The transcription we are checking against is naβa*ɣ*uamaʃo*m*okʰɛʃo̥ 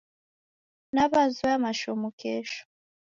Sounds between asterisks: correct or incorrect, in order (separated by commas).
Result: incorrect, correct